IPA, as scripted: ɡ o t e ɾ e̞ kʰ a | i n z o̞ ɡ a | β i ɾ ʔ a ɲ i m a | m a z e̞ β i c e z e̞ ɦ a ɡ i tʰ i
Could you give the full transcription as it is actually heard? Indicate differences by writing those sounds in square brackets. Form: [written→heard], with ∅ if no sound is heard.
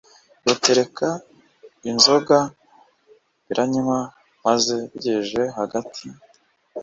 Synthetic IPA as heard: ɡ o t e ɾ e̞ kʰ a | i n z o̞ ɡ a | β i ɾ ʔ a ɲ i m a | m a z e̞ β i [c→ɟ] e [z→ʒ] e̞ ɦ a ɡ [i→a] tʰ i